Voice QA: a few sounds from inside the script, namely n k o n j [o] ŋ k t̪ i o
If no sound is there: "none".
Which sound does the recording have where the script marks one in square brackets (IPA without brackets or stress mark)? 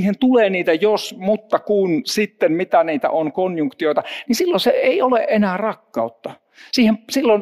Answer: u